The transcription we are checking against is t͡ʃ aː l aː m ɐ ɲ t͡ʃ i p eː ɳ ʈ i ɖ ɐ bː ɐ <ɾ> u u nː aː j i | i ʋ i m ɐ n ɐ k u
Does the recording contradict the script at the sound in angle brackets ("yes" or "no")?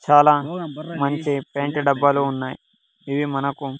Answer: yes